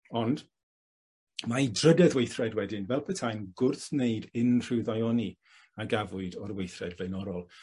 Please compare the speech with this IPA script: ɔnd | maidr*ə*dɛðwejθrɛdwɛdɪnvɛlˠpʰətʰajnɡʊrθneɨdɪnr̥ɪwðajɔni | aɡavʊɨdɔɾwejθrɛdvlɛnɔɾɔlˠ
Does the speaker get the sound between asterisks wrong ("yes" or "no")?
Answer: no